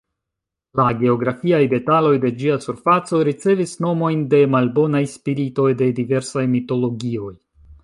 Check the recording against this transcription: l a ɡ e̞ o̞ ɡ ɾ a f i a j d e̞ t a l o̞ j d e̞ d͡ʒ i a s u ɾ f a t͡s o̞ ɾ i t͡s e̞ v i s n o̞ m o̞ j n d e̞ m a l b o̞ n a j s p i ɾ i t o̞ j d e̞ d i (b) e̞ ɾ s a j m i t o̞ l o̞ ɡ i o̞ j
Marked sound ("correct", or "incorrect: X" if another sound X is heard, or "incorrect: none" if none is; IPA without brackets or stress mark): incorrect: v